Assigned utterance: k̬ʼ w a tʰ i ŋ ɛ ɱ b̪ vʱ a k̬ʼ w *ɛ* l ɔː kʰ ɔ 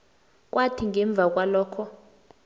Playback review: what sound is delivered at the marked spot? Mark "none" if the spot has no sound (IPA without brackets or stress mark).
a